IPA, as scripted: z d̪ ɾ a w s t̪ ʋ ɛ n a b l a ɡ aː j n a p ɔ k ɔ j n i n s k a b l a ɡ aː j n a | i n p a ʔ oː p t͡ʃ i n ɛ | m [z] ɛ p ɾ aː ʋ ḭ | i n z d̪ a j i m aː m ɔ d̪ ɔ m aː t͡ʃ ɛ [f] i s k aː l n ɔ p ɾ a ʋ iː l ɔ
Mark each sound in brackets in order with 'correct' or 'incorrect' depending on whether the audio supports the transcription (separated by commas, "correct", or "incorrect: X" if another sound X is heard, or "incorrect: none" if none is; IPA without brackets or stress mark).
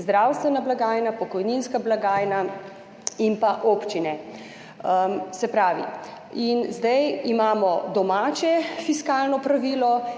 incorrect: s, correct